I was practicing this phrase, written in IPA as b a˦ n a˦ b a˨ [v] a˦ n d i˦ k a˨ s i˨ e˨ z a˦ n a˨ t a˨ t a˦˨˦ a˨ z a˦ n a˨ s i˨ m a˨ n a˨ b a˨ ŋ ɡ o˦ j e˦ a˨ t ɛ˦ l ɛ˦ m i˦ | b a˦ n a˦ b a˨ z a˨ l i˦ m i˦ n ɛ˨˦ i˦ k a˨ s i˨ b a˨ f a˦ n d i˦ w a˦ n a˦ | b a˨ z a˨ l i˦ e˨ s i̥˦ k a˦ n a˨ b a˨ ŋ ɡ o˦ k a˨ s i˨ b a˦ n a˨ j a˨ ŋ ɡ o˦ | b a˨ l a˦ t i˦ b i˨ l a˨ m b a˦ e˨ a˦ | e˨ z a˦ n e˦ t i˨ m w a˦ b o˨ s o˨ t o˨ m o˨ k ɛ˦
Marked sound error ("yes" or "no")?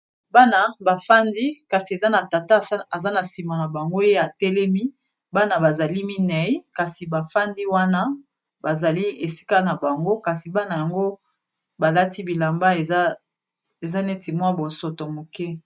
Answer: yes